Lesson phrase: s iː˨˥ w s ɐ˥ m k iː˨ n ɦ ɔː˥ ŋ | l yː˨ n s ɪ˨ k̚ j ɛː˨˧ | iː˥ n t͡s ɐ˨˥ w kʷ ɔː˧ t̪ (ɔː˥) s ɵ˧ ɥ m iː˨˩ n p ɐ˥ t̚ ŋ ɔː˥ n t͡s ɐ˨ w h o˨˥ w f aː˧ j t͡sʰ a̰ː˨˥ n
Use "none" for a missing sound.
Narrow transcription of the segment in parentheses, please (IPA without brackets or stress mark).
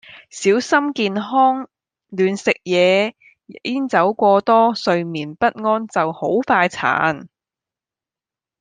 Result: ɔː˥